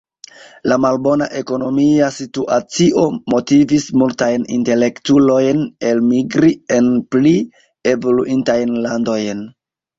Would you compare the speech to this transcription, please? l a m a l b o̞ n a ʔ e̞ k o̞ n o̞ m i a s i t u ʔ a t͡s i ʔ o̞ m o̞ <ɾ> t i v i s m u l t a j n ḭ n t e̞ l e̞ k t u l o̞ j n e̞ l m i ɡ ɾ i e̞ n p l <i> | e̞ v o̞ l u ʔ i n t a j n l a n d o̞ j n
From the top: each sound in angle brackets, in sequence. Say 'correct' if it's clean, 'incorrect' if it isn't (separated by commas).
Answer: incorrect, correct